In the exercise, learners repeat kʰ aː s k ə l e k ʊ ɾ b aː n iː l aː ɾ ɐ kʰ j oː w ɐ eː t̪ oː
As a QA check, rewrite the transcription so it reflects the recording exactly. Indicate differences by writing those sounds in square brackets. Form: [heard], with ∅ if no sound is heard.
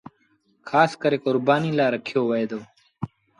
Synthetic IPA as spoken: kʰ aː s k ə [ɾ] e k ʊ ɾ b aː n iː l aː ɾ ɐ kʰ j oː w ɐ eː [d̪] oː